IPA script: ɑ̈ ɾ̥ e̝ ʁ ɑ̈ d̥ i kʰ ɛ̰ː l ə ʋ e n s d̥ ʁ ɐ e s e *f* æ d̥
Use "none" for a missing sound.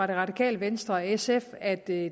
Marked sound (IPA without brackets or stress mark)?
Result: f